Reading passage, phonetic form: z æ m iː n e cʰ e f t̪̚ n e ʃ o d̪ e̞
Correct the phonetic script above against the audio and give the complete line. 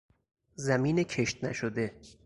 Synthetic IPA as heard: z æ m iː n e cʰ e ʃ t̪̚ n æ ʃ o d̪ e̞